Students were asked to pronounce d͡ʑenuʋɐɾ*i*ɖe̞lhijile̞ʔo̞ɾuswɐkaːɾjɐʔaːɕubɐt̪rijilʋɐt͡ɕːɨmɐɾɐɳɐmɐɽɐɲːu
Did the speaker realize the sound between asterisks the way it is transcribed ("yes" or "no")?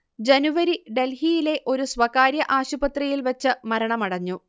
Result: yes